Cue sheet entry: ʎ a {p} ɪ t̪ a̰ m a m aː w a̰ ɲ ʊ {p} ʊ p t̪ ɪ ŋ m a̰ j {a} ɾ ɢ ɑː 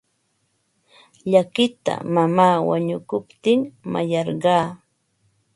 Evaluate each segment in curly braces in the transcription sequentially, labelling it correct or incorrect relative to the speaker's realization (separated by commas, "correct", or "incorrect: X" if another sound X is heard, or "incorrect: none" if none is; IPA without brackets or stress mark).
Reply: incorrect: k, incorrect: k, incorrect: ɑ